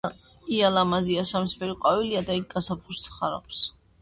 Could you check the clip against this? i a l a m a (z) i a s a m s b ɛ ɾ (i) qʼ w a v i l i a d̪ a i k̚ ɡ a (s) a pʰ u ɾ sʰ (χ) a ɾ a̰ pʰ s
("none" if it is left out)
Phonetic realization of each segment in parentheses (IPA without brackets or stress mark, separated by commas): z, i, s, χ